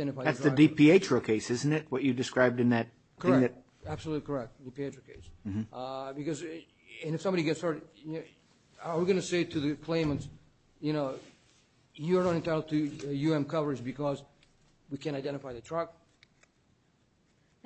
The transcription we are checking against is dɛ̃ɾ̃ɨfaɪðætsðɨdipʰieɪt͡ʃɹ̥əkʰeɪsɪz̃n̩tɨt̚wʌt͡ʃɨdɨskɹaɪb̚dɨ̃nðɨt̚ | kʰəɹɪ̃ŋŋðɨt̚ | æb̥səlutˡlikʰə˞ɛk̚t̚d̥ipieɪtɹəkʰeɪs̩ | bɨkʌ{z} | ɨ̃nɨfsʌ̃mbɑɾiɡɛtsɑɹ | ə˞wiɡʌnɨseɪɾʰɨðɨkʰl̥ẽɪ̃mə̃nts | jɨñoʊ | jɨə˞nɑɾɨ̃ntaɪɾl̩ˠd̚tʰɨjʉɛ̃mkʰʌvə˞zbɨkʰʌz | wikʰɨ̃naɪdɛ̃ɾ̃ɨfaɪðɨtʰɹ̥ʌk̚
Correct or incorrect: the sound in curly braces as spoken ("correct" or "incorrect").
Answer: correct